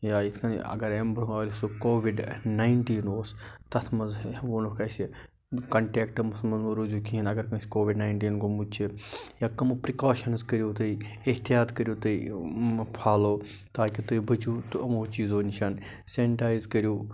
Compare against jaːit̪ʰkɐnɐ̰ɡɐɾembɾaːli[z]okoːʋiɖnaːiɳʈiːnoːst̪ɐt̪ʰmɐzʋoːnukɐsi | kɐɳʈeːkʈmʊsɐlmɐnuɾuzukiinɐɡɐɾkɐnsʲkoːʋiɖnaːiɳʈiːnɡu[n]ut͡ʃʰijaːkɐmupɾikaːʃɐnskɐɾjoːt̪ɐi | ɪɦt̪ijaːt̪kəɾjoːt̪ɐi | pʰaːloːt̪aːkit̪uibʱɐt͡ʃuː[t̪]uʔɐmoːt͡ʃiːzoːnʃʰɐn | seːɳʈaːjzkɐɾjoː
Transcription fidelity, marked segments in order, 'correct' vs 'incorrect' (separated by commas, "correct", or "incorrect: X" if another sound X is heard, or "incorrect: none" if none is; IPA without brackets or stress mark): incorrect: s, incorrect: m, correct